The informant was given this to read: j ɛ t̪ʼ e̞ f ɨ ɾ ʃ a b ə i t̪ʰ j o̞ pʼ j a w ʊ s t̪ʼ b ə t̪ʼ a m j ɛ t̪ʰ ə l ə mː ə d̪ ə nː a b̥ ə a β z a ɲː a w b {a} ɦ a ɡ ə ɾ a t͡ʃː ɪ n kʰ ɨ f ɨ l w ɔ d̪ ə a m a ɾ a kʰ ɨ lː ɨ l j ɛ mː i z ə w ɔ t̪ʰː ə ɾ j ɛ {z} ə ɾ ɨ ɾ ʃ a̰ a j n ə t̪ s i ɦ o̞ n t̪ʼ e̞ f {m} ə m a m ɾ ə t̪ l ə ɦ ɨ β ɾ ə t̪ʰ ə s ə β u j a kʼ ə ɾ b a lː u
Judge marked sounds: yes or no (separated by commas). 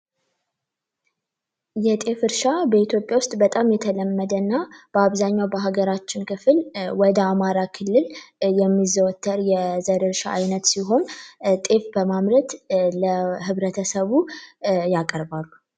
no, yes, no